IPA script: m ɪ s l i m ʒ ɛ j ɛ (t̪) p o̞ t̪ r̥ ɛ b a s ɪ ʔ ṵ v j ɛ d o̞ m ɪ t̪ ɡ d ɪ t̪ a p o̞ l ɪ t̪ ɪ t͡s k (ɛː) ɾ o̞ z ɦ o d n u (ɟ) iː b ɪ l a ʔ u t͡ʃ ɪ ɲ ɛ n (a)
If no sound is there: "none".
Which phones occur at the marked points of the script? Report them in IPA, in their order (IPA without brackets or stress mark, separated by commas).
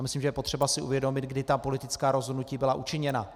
none, aː, c, a